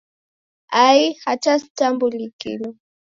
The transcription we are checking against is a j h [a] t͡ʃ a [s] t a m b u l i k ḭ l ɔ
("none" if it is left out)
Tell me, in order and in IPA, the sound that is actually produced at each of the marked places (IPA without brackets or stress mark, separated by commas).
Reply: a, s